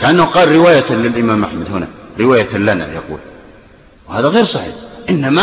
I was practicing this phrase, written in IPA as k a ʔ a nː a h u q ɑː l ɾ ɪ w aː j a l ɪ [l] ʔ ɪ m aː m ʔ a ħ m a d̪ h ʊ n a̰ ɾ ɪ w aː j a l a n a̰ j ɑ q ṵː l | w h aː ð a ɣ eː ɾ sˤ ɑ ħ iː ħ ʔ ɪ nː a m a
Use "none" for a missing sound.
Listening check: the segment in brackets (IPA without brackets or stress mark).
l